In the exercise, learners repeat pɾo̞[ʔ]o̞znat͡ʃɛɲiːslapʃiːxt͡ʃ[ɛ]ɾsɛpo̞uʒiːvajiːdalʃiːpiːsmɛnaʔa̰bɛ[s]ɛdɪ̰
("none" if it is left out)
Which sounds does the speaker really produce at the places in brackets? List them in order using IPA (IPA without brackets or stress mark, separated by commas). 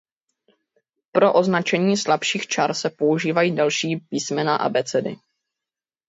ʔ, a, t͡s